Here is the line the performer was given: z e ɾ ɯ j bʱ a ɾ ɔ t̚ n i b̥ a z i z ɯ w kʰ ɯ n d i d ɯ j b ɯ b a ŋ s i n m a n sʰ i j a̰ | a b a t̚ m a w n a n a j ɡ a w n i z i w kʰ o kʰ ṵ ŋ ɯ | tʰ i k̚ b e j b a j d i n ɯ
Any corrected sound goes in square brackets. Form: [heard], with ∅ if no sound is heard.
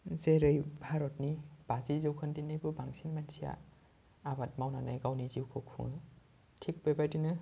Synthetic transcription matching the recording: z e ɾ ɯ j bʱ a ɾ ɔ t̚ n i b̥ a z i z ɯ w kʰ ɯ n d i [n] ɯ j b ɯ b a ŋ s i n m a n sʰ i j a̰ | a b a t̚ m a w n a n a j ɡ a w n i z i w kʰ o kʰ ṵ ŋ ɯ | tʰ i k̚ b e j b a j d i n ɯ

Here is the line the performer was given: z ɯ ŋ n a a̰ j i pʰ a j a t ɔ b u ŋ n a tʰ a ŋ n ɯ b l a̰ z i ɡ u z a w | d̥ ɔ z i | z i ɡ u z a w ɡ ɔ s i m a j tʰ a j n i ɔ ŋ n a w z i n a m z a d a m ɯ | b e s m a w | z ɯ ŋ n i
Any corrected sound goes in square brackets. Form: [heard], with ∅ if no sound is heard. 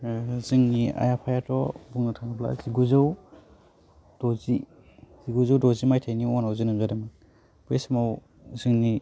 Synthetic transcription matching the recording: z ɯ ŋ n [i] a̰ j [a] pʰ a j a t ɔ b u ŋ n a tʰ a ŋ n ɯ b l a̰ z i ɡ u z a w | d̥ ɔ z i | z i ɡ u z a w [d] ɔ [z] i m a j tʰ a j n i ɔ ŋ n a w z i n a m z a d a m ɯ | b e s m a w | z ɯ ŋ n i

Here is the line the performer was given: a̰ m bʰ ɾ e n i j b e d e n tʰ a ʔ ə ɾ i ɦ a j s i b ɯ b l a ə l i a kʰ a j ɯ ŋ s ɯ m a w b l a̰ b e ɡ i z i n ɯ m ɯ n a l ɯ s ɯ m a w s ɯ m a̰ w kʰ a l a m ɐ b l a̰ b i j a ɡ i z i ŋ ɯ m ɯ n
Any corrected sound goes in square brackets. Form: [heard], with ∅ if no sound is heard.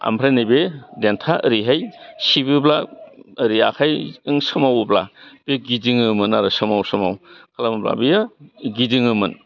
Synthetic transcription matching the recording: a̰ m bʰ ɾ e n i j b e d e n tʰ a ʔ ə ɾ i ɦ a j s i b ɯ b l a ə [ɾ] i a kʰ a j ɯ ŋ s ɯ m a w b l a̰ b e ɡ i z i [ŋ] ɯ m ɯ n a [ɾ] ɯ s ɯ m a w s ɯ m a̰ w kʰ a l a m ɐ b l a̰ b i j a ɡ i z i ŋ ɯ m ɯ n

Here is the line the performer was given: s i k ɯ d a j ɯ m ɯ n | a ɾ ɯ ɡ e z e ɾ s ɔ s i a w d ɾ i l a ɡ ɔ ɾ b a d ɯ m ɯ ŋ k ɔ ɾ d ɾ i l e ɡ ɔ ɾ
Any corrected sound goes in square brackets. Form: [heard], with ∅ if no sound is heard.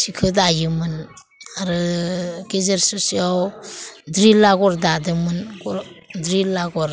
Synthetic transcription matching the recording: s i [kʰ] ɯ d a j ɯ m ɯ n | a ɾ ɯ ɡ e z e ɾ s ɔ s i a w d ɾ i l a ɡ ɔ ɾ [d] a d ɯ m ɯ [n] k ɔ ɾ d ɾ i l [a] ɡ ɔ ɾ

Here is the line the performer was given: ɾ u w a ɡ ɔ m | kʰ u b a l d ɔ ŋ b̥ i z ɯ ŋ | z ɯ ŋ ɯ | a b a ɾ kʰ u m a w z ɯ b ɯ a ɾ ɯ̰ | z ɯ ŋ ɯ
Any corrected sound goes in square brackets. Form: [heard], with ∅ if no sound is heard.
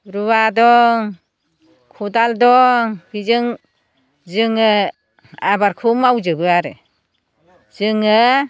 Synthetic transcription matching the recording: ɾ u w a [d] ɔ [ŋ] | kʰ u [d] a l d ɔ ŋ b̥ i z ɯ ŋ | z ɯ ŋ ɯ | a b a ɾ kʰ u m a w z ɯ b ɯ a ɾ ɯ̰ | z ɯ ŋ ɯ

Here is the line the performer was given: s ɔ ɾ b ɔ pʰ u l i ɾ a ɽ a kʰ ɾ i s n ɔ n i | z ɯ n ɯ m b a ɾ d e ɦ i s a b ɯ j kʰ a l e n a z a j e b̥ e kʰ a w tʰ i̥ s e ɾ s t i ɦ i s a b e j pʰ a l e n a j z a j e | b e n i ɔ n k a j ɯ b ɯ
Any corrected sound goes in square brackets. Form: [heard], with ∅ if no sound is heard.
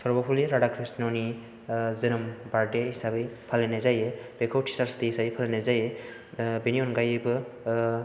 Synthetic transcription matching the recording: s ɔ ɾ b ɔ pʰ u l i ɾ a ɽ a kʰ ɾ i s n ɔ n i | z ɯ n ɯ m b a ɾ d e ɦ i s a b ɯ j [pʰ] a l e n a z a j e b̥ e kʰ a w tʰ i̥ s [a] ɾ s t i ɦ i s a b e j pʰ a l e n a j z a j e | b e n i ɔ n [ɡ] a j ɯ b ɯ

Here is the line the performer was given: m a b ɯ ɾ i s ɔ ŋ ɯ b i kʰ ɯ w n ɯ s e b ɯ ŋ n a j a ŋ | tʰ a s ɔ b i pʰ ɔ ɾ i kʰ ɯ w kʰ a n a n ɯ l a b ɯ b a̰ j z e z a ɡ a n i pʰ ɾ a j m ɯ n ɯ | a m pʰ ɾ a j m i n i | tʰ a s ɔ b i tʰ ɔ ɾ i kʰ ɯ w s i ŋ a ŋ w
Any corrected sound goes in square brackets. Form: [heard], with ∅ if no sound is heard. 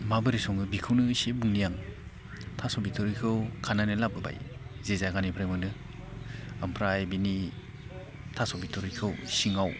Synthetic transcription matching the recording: m a b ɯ ɾ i s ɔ ŋ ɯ b i kʰ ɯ w n ɯ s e b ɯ ŋ n [i] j a ŋ | tʰ a s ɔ b i [tʰ] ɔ ɾ i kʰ ɯ w kʰ a n a n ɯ l a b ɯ b a̰ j z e z a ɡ a n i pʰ ɾ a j m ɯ n ɯ | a m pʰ ɾ a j [b] i n i | tʰ a s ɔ b i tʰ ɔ ɾ i kʰ ɯ w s i ŋ a [∅] w

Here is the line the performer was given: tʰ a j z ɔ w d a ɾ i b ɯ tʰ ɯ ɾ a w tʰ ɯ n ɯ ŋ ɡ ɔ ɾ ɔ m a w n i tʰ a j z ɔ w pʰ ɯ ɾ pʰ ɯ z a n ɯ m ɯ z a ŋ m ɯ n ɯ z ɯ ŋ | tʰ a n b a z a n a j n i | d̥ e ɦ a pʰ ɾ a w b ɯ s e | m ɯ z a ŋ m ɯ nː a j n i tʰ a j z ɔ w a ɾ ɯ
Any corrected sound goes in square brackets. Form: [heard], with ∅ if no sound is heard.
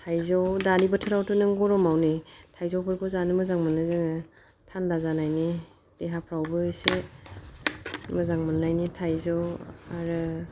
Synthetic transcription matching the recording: tʰ a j z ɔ w d a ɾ i b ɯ tʰ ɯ ɾ a w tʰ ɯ n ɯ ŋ ɡ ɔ ɾ ɔ m a w n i tʰ a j z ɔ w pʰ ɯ ɾ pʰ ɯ z a n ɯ m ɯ z a ŋ m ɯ n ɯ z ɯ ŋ | tʰ a n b a z a n a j n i | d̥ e ɦ a pʰ ɾ a w b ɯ s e | m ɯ z a ŋ m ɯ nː a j n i tʰ a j z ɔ w a ɾ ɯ

